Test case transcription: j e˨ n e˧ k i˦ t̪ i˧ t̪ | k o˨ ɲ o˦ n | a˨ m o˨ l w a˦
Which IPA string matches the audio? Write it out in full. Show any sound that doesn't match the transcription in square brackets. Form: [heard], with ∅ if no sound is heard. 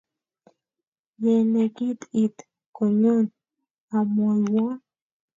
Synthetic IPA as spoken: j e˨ n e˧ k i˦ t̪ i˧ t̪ | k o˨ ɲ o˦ n | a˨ m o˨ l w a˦